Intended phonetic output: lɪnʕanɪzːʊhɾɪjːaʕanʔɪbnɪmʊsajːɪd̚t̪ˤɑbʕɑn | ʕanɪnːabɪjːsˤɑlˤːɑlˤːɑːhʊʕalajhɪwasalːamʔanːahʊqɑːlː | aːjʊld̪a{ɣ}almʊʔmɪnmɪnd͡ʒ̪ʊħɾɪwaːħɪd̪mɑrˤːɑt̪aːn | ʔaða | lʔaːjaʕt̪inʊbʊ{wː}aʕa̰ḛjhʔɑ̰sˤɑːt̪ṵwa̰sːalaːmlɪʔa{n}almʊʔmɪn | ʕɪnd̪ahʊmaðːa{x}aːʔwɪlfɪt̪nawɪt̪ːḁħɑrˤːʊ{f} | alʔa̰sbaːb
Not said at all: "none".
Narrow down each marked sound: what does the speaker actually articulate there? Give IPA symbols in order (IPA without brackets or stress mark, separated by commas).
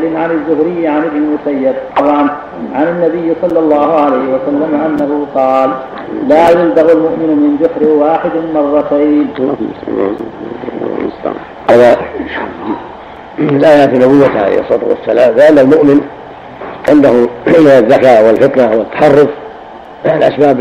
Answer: ɣ, wː, nː, k, f